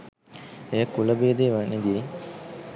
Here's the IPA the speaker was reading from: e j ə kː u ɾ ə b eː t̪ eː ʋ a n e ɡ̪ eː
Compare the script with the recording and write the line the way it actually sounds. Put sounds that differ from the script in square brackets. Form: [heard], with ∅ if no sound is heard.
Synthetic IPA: e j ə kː u [l] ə b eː [d̪] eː ʋ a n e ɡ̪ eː